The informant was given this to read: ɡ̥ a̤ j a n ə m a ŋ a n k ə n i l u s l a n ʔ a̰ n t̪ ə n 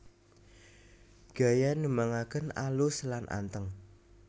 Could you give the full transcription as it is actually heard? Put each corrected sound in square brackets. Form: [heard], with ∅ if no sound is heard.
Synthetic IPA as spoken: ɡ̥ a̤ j a n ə m a ŋ a [∅] k ə n [a] l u s l a n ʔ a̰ n t̪ ə [ŋ]